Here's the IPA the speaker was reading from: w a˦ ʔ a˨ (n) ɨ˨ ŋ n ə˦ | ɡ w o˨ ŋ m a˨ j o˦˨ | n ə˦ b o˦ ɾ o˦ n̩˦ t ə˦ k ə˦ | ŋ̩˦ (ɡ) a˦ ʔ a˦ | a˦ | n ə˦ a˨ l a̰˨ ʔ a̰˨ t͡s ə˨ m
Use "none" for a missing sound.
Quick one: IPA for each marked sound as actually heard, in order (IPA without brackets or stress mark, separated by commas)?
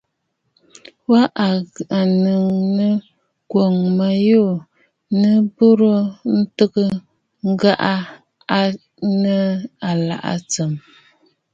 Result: n, ɡ